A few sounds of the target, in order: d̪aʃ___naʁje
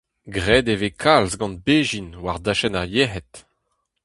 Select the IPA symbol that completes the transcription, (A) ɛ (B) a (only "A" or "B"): A